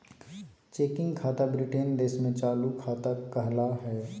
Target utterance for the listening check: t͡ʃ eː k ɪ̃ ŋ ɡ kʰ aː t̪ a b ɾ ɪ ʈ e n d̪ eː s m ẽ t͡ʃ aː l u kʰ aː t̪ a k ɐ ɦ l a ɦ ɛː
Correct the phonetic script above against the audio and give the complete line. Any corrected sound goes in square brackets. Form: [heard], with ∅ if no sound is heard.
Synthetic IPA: t͡ʃ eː k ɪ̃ ŋ ɡ kʰ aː t̪ a b ɾ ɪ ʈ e n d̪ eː s m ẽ t͡ʃ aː l u kʰ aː t̪ a k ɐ ɦ l a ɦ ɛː